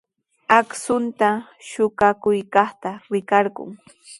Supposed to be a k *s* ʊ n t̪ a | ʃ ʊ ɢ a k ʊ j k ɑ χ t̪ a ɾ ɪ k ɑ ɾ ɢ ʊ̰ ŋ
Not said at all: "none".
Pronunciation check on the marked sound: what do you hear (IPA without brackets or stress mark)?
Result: s